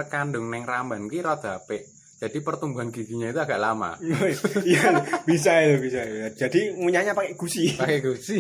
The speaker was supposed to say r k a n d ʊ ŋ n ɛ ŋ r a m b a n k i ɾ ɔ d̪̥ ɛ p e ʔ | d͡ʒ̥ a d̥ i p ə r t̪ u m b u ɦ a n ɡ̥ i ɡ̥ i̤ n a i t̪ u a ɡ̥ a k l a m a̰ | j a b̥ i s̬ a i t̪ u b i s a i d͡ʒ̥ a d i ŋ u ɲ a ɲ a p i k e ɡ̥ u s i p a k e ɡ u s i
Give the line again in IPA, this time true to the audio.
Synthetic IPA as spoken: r k a n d ʊ ŋ n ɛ ŋ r a m b a n k i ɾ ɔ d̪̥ a p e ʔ | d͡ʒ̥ a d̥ i p ə r t̪ u m b u ɦ a n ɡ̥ i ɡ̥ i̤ ɲ a i t̪ u a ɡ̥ a ʔ l a m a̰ | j a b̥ i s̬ a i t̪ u b i s a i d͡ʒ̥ a d i ŋ u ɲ a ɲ a p a k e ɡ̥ u s i p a k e ɡ u s i